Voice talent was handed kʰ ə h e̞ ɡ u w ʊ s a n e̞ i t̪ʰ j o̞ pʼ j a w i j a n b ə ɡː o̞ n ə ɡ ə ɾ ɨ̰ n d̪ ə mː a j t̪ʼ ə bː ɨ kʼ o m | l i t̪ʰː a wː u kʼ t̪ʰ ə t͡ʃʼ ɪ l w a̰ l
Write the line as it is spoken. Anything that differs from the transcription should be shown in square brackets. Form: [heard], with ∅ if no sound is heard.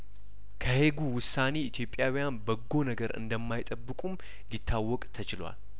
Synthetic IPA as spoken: kʰ ə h e̞ ɡ u w ʊ s a n e̞ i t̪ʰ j o̞ pʼ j a w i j a n b ə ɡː o̞ n ə ɡ ə ɾ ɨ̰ n d̪ ə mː a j t̪ʼ ə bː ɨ kʼ [u] m | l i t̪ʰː a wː [ɔ] kʼ t̪ʰ ə [t͡ʃ] ɪ l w a̰ l